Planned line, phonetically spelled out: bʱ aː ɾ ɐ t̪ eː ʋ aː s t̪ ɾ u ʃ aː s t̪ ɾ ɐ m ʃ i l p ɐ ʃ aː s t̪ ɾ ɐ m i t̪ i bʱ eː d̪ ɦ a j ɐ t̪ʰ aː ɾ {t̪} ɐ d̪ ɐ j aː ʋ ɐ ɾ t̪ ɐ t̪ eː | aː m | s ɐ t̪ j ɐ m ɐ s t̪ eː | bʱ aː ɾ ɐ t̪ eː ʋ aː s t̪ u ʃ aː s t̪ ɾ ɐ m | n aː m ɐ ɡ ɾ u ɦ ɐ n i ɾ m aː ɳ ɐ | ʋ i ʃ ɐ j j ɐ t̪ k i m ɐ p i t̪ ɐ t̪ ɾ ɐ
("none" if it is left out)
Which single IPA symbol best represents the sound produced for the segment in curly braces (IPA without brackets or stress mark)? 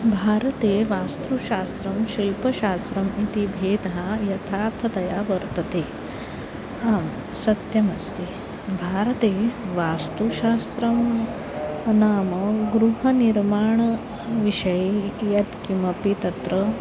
t̪ʰ